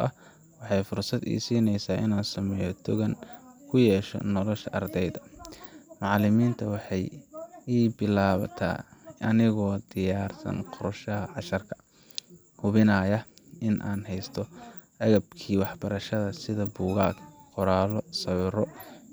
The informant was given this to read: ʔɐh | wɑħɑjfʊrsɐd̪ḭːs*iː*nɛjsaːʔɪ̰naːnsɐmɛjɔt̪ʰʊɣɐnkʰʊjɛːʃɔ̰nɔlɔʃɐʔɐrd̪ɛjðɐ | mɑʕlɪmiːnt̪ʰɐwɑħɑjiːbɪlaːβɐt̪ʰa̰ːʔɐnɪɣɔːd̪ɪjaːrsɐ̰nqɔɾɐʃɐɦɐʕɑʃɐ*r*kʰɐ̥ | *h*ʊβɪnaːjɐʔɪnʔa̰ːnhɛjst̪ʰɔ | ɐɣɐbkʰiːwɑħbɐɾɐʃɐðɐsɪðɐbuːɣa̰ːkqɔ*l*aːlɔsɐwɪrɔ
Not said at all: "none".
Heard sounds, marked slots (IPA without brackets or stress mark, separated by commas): iː, r, h, ɾ